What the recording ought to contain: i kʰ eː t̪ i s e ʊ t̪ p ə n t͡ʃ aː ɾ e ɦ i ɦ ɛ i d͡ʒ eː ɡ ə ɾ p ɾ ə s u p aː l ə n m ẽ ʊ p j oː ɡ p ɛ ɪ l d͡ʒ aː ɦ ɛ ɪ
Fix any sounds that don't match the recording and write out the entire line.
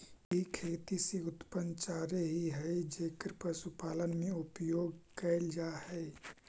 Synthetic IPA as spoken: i kʰ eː t̪ i s e ʊ t̪ p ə n t͡ʃ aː ɾ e ɦ i ɦ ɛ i d͡ʒ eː k ə ɾ p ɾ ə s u p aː l ə n m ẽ ʊ p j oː ɡ k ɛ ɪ l d͡ʒ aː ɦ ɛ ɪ